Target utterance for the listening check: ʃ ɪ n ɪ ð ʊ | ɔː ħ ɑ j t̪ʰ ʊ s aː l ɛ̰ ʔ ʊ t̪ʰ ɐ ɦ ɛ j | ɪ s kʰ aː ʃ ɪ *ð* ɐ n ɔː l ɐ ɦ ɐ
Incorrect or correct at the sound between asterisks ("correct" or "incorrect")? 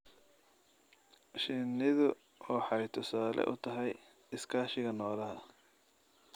incorrect